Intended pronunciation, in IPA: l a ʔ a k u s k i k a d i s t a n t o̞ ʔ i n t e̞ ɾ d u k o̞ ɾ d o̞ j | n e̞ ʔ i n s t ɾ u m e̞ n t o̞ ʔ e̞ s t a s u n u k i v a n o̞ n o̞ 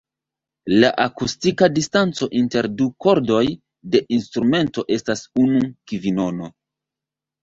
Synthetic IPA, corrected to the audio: l a ʔ a k u s t i k a d i s t a n t͡s o̞ ʔ i n t e̞ ɾ d u k o̞ ɾ d o̞ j | d e̞ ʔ i n s t ɾ u m e̞ n t o̞ ʔ e̞ s t a s u n u k i v i n o̞ n o̞